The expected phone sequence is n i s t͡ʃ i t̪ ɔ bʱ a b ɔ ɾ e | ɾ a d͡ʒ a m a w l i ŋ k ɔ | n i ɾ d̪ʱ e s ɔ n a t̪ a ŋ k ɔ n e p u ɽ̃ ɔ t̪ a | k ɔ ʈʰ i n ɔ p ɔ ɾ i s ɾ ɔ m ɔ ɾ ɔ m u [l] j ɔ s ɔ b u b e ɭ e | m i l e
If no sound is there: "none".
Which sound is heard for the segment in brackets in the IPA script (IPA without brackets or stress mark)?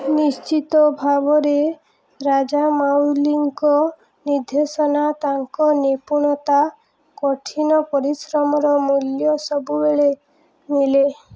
l